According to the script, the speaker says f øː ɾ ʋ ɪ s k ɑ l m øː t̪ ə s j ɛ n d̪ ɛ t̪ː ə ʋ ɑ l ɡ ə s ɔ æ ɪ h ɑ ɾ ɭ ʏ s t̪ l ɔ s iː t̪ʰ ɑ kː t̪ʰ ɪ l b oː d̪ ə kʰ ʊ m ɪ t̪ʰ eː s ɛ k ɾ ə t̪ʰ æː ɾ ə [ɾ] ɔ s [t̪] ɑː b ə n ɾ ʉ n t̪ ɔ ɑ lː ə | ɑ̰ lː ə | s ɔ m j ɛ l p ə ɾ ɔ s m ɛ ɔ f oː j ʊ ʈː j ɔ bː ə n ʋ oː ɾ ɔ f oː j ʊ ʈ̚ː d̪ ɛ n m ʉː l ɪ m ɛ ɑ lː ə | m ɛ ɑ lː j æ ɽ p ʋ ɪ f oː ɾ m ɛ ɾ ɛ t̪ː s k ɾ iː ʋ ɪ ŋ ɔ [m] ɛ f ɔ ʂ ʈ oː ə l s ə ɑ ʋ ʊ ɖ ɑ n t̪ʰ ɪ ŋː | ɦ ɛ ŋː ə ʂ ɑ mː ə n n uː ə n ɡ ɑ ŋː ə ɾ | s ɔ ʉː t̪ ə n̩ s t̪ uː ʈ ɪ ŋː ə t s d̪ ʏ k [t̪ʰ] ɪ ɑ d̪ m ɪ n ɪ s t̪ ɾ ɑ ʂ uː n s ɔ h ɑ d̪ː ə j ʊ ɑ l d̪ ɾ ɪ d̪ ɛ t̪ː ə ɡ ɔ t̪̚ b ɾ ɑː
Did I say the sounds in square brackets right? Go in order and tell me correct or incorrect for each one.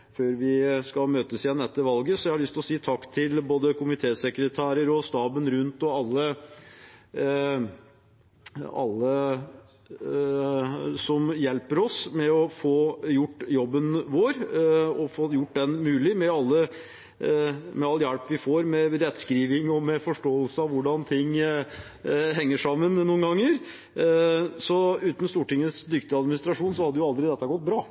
correct, correct, correct, incorrect: t̪

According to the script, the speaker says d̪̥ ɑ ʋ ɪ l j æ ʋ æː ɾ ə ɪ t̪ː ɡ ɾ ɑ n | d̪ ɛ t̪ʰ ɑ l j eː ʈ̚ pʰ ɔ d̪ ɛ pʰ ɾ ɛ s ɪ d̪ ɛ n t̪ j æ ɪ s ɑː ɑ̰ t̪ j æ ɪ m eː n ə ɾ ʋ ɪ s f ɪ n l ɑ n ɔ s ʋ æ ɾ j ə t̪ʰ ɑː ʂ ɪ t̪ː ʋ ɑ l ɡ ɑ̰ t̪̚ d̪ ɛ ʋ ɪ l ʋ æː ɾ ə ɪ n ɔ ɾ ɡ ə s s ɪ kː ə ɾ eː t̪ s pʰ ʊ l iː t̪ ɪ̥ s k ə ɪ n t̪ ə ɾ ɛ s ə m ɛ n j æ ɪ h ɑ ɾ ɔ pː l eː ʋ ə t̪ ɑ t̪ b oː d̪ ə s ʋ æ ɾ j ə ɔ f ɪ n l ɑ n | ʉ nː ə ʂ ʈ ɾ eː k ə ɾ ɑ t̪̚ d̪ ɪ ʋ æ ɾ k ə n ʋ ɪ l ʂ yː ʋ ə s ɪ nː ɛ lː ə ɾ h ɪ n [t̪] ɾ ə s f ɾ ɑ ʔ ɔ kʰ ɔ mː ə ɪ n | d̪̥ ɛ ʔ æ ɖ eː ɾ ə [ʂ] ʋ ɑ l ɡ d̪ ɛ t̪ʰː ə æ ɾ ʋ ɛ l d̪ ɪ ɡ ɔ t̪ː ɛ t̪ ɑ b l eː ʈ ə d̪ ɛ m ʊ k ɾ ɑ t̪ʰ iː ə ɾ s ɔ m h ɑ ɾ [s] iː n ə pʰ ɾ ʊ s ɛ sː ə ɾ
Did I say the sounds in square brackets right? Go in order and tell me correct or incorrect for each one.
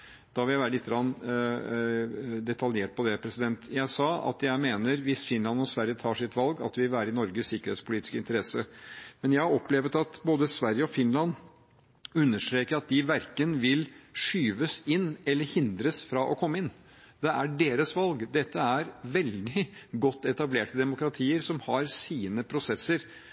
incorrect: d̪, incorrect: s, correct

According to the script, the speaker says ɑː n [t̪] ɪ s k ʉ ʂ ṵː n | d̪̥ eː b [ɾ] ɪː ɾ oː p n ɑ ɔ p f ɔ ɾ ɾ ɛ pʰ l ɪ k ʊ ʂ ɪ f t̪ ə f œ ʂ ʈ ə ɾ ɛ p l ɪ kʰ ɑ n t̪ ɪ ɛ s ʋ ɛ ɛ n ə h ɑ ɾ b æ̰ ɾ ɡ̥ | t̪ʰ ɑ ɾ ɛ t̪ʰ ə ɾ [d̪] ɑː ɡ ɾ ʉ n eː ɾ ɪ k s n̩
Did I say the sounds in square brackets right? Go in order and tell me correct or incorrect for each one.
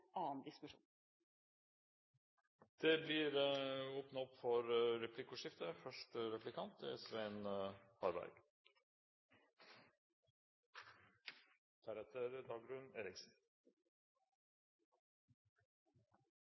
incorrect: d̪, incorrect: l, correct

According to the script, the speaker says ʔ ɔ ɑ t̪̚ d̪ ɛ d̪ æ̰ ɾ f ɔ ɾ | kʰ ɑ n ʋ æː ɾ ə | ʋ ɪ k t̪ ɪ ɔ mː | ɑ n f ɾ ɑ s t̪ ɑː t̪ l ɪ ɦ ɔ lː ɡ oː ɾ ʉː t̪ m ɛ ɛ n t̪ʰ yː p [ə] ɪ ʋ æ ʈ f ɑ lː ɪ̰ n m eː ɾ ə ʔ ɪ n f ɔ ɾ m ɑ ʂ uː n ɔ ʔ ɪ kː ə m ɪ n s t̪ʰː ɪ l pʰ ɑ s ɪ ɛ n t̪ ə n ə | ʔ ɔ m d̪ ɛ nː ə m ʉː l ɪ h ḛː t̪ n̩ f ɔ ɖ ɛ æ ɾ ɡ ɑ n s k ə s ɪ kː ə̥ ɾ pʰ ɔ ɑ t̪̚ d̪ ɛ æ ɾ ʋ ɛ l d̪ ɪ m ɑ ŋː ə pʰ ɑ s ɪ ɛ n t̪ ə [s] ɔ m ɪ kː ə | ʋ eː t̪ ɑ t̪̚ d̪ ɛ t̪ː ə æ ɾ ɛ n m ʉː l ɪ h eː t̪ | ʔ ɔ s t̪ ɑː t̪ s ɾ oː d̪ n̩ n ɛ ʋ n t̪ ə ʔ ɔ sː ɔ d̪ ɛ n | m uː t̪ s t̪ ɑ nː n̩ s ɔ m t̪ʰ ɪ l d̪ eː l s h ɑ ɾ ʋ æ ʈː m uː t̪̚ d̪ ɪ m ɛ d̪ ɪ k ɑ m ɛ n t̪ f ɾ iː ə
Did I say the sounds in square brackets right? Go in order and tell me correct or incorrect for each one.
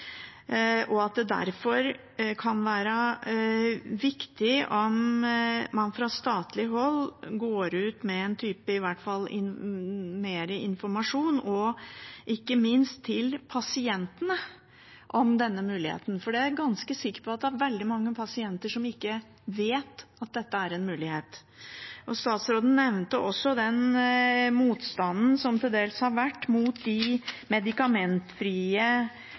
correct, incorrect: ʂ

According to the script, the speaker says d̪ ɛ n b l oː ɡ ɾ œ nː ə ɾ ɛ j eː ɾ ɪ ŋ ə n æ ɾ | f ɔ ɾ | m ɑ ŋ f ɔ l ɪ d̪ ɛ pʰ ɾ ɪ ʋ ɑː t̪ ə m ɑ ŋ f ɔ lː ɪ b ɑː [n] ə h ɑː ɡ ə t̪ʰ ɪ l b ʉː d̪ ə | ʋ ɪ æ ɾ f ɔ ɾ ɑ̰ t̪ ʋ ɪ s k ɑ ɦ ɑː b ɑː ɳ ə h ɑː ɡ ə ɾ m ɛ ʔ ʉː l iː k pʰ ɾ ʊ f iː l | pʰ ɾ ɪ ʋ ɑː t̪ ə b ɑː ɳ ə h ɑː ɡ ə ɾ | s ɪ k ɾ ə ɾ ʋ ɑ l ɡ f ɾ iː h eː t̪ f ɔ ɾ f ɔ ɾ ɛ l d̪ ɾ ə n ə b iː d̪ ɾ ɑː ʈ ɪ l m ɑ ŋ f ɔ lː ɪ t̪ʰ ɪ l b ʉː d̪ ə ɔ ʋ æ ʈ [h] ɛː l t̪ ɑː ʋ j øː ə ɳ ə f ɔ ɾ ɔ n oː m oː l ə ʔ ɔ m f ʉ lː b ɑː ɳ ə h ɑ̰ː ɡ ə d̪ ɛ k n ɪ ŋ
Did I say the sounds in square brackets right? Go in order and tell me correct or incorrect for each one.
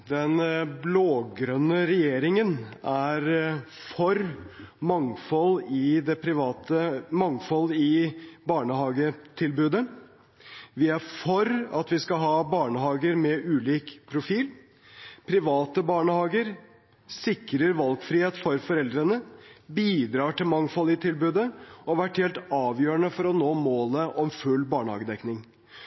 incorrect: ɳ, correct

